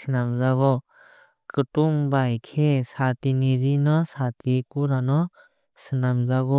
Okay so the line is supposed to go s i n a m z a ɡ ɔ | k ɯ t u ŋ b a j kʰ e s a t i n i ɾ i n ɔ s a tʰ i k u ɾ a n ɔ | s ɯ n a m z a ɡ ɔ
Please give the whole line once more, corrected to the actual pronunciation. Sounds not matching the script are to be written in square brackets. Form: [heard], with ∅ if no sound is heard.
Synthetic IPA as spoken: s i n a m z a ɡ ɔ | k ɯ t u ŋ b a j kʰ e s a t i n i ɾ i n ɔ s a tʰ i k u ɾ a n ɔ | s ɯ n a m z a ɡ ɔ